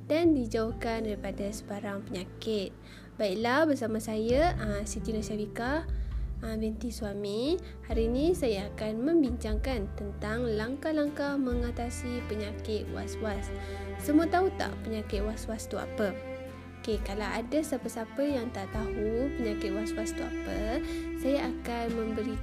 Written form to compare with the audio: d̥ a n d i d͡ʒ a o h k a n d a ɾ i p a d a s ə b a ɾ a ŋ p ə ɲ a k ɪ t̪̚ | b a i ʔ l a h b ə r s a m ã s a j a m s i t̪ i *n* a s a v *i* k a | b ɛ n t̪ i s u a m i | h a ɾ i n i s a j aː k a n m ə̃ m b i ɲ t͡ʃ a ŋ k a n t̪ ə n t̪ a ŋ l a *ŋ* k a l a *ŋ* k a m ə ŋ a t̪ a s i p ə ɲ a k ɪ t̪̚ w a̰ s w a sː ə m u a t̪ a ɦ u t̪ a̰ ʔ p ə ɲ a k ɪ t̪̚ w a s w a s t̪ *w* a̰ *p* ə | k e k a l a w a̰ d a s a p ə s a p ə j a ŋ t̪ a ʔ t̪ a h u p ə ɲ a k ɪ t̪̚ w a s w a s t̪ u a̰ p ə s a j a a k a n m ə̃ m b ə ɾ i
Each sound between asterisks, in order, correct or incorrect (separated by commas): correct, correct, correct, correct, incorrect, correct